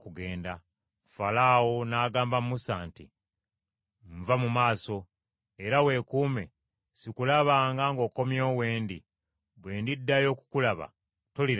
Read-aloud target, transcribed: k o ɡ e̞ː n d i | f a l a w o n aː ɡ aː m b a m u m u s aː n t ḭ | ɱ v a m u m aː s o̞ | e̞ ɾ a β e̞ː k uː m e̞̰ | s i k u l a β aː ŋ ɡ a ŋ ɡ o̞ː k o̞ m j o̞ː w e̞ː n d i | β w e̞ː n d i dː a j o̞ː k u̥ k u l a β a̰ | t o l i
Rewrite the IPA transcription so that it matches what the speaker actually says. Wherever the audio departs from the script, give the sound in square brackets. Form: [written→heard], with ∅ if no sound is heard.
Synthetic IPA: k [o→u] ɡ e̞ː n d [i→a] | f a l a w o n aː ɡ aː m b a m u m u s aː n t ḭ | ɱ v a m u m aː s o̞ | e̞ ɾ a [β→w] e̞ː k uː m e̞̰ | s i k u l a β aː ŋ ɡ a ŋ ɡ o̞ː k o̞ m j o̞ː w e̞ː n d i | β w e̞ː n d i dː a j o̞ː k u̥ k u l a β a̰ | t o l i